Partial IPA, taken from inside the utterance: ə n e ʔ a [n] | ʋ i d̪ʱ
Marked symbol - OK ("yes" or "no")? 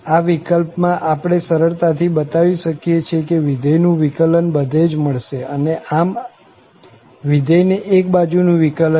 no